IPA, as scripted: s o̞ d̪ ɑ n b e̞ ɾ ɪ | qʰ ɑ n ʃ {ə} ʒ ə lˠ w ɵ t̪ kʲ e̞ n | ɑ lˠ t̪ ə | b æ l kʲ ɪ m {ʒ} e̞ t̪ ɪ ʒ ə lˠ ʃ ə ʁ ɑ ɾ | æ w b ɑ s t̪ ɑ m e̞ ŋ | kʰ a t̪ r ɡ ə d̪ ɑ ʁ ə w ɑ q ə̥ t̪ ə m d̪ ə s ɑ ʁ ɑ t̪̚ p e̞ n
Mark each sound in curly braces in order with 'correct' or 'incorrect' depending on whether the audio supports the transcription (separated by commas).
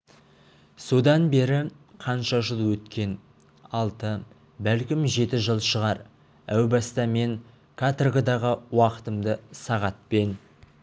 incorrect, correct